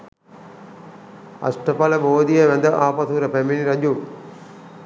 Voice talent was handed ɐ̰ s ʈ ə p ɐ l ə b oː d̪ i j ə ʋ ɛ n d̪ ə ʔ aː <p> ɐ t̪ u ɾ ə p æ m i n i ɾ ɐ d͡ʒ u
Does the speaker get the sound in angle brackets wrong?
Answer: no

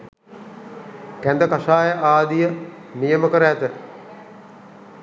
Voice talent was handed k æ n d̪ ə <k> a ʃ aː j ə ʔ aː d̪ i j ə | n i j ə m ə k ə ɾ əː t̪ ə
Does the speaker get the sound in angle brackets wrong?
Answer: no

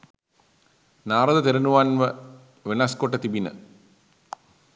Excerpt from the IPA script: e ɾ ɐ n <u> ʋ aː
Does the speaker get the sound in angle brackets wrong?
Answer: no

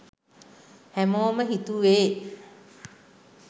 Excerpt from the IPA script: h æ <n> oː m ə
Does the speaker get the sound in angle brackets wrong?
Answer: yes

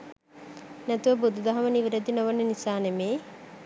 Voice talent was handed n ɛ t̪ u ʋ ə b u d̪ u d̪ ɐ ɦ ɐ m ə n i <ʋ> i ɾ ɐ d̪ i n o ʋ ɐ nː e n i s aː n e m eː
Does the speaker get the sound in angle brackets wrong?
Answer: no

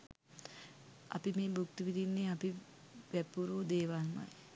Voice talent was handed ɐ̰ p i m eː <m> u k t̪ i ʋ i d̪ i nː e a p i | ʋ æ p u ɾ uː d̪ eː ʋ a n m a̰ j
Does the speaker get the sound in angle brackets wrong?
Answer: yes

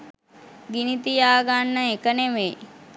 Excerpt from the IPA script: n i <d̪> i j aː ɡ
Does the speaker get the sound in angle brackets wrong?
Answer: yes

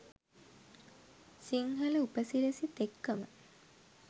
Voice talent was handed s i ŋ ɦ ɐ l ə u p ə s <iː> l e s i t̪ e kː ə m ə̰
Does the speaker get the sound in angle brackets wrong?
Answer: yes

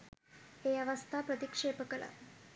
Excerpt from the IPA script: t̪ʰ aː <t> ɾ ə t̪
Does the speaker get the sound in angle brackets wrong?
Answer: yes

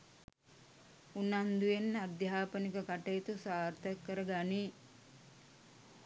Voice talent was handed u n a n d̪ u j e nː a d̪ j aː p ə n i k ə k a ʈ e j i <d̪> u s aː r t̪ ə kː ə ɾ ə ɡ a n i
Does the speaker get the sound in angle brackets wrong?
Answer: yes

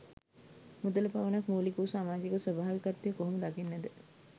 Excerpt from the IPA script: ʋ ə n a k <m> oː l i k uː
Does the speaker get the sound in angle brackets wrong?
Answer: no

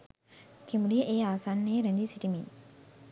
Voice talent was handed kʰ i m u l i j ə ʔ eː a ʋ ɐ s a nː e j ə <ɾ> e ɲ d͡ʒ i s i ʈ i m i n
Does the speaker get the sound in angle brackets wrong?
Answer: no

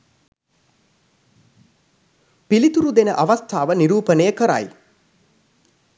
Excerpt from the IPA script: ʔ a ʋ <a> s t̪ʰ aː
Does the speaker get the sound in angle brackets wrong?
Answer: no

